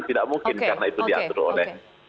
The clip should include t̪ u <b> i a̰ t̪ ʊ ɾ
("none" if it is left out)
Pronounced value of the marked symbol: d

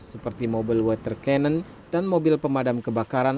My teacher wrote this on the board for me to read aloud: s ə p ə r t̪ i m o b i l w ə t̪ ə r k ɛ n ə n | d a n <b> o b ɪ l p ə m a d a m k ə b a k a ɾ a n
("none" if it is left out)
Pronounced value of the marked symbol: m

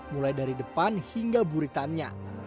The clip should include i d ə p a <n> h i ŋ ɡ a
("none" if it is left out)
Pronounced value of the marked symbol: n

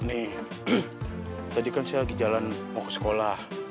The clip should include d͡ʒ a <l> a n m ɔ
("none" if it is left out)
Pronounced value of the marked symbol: l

